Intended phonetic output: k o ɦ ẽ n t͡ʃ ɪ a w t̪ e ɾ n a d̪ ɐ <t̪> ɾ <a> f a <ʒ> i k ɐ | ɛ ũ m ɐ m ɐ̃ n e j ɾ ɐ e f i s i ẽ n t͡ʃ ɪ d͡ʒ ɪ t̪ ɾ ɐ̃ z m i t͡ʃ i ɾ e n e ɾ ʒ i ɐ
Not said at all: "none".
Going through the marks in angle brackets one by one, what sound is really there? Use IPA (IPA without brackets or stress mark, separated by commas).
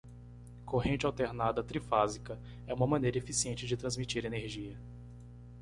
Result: t̪, i, z